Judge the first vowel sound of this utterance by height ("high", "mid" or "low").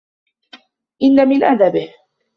high